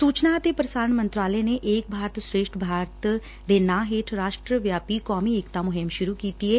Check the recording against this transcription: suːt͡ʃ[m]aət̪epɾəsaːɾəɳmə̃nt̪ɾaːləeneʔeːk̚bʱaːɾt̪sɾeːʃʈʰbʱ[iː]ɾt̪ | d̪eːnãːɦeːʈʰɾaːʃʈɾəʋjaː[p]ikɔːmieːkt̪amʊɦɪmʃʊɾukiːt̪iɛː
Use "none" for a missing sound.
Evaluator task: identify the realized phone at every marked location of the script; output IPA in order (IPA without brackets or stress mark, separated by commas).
n, aː, p